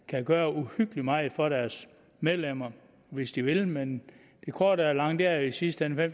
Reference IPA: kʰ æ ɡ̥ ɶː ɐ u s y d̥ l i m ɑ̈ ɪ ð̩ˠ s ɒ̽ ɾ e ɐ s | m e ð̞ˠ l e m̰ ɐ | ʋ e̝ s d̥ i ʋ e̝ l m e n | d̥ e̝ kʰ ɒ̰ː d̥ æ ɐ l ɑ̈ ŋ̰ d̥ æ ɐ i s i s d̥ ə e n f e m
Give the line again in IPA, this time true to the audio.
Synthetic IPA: kʰ æ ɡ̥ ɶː ɐ u h y ɡ̥ l i m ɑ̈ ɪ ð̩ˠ f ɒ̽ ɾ æ ɐ s | m e ð̞ˠ l e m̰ ɐ | ʋ e̝ s d̥ i ʋ e̝ l m e n | d̥ e̝ kʰ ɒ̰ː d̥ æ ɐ l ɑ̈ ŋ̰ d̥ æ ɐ i s i s d̥ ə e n f e m